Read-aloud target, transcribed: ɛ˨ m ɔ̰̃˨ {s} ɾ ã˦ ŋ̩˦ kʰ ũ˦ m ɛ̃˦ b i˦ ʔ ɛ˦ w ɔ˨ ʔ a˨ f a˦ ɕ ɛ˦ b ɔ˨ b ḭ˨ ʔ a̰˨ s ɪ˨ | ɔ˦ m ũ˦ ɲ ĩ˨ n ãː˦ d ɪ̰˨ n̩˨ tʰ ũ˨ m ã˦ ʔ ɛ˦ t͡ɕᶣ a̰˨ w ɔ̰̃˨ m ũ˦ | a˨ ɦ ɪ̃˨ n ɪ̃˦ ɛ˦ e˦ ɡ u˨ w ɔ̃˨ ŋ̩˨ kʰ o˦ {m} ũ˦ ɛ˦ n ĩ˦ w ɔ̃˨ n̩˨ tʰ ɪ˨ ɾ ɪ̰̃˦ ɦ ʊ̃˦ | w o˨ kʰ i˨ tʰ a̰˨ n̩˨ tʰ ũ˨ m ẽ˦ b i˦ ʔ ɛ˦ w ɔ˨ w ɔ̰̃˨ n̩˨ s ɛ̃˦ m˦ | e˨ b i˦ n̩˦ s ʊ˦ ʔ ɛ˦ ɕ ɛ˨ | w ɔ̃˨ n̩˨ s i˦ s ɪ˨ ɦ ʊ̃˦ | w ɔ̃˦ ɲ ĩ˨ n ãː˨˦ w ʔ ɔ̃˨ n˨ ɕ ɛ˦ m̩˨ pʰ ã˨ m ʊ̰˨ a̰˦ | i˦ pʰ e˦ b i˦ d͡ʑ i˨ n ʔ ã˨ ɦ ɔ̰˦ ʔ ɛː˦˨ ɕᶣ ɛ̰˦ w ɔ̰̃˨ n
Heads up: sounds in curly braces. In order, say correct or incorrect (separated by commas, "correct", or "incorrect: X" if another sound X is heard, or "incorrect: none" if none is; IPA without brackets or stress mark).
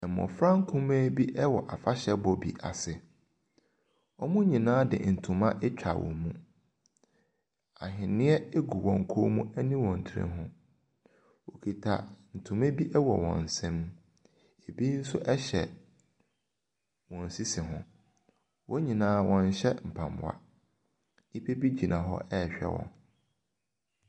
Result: incorrect: f, correct